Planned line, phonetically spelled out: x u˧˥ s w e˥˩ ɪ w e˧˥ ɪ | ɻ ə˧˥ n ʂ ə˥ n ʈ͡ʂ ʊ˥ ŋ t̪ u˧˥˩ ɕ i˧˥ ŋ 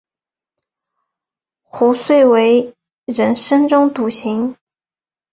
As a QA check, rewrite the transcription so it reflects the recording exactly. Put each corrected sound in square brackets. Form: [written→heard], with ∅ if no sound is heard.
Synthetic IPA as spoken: x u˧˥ s w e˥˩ ɪ w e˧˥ ɪ | ɻ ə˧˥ n ʂ ə˥ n ʈ͡ʂ ʊ˥ ŋ t̪ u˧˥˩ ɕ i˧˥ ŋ

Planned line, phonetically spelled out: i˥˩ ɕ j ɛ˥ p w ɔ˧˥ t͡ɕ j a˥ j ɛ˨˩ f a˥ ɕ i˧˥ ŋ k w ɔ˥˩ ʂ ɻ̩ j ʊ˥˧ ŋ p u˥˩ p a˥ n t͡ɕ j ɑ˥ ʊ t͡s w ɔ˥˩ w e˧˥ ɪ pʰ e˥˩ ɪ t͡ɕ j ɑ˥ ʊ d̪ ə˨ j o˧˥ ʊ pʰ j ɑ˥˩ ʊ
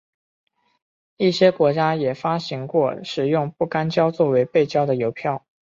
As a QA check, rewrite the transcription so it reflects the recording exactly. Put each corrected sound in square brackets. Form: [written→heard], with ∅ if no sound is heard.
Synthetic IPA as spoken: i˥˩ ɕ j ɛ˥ [p→k] w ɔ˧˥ t͡ɕ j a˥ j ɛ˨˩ f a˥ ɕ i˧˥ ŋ k w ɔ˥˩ ʂ ɻ̩ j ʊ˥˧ ŋ p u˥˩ [p→k] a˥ n t͡ɕ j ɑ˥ ʊ t͡s w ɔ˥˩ w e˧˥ ɪ [pʰ→p] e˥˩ ɪ t͡ɕ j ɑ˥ ʊ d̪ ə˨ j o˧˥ ʊ pʰ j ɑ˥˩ ʊ

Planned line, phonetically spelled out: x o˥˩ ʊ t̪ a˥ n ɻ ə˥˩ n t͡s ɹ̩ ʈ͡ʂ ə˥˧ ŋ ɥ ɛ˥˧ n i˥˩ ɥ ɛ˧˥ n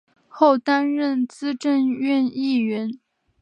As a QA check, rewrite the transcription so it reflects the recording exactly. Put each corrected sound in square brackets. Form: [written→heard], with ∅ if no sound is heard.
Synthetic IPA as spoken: x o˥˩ ʊ t̪ a˥ n ɻ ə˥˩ n t͡s ɹ̩ ʈ͡ʂ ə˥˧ [ŋ→n] ɥ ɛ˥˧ n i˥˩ ɥ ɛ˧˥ n

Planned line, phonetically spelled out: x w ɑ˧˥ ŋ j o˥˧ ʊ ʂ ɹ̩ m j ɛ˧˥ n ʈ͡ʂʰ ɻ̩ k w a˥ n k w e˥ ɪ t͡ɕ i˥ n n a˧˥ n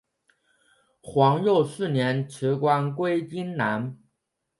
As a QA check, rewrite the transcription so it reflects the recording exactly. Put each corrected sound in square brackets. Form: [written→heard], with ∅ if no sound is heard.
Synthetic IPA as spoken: x w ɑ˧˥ ŋ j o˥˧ ʊ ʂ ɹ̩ [m→n] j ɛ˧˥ n ʈ͡ʂʰ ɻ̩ k w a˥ n k w e˥ ɪ t͡ɕ i˥ n n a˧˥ n

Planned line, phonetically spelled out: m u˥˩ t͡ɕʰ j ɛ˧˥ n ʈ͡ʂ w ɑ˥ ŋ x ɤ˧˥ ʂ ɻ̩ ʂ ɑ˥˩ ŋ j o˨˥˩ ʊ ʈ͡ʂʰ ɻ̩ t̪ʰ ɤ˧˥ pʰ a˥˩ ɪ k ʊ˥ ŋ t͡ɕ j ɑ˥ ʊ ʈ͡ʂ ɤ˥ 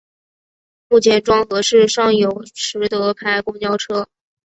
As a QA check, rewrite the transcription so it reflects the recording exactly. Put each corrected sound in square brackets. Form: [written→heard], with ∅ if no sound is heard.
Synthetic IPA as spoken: m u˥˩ t͡ɕʰ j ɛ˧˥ n ʈ͡ʂ w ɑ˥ ŋ x ɤ˧˥ ʂ ɻ̩ ʂ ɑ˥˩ ŋ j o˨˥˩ ʊ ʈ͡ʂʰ ɻ̩ [t̪ʰ→t̪] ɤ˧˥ pʰ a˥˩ ɪ k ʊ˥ ŋ t͡ɕ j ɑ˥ ʊ [ʈ͡ʂ→ʈ͡ʂʰ] ɤ˥

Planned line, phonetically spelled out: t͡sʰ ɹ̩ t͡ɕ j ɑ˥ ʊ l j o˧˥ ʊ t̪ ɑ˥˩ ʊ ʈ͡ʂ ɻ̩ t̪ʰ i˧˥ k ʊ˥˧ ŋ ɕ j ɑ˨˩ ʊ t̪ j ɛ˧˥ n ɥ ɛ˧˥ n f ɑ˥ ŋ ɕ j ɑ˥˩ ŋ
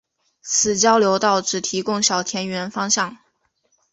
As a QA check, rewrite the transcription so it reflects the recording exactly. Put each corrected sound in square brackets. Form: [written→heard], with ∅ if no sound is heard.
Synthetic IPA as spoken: t͡sʰ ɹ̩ t͡ɕ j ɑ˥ ʊ l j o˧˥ ʊ t̪ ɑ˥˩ ʊ ʈ͡ʂ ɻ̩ t̪ʰ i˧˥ k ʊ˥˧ ŋ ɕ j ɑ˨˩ ʊ [t̪→t̪ʰ] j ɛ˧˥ n ɥ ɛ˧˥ n f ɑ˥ ŋ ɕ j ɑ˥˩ ŋ

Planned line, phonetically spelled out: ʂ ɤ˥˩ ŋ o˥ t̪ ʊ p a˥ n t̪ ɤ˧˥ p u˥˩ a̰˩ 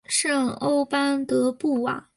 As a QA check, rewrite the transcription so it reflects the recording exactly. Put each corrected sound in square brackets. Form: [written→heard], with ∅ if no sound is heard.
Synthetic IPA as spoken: ʂ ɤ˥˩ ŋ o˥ [t̪→∅] ʊ p a˥ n t̪ ɤ˧˥ p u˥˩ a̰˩

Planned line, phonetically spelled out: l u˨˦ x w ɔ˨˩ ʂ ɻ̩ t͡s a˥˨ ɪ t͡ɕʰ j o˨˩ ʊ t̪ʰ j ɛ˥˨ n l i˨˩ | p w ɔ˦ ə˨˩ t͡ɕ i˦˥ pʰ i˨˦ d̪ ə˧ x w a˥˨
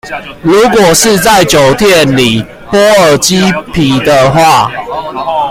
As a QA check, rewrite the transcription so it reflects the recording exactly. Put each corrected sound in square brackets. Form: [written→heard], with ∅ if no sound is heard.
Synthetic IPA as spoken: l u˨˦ [x→k] w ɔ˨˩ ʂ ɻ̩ t͡s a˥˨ ɪ [t͡ɕʰ→t͡ɕ] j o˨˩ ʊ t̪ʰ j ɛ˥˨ n l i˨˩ | p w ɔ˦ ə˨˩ t͡ɕ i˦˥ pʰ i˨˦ d̪ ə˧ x w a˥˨

